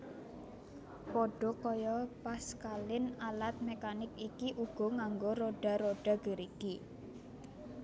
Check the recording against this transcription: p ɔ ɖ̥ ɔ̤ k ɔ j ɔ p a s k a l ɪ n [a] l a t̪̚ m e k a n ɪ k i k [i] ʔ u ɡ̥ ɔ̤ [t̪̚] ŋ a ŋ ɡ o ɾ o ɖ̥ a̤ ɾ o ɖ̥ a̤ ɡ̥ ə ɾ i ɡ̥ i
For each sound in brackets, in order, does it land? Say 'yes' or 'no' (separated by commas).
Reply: yes, yes, no